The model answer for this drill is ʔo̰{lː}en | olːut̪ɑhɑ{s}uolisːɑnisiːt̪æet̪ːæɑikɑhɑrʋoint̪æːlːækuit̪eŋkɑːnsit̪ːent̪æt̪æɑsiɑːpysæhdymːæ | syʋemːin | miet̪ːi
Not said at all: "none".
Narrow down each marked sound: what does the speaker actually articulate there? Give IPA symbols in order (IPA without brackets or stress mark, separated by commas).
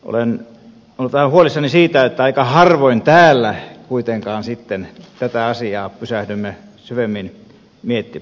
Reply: l, h